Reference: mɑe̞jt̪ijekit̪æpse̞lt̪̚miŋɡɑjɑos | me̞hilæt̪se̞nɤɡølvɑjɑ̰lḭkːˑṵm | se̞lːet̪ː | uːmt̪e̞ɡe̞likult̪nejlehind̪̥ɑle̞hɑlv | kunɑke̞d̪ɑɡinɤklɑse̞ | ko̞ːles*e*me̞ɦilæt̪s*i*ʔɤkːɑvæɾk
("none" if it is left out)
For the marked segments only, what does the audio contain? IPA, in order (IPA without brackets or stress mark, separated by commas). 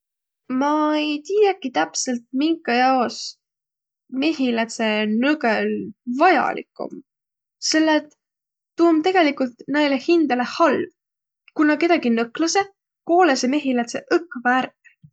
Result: e, e